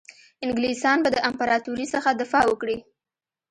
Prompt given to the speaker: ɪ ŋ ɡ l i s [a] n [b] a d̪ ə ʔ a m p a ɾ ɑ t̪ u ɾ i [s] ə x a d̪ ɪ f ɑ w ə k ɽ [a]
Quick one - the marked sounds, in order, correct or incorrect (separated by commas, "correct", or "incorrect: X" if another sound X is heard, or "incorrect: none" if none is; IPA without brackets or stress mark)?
incorrect: ɑ, correct, correct, incorrect: i